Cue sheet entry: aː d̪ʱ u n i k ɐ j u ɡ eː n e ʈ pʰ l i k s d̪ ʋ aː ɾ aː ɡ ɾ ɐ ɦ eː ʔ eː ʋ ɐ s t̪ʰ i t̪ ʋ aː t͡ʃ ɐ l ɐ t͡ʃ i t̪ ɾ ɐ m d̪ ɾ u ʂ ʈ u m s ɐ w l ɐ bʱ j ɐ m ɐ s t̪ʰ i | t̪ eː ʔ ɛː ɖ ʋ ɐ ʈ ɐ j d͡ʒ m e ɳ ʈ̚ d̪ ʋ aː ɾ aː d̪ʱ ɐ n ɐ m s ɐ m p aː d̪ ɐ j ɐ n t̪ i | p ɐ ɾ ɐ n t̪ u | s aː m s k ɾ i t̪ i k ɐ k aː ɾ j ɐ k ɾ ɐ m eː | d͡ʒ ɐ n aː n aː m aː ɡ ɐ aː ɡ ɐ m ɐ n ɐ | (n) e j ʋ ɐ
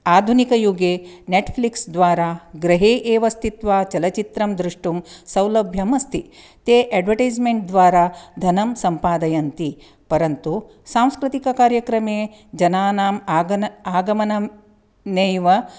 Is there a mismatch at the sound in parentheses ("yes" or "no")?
no